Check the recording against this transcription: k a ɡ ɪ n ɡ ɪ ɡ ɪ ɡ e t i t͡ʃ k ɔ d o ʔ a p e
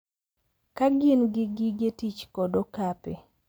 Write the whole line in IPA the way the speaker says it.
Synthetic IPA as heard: k a ɡ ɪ n ɡ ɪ ɡ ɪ ɡ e t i t͡ʃ k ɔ d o k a p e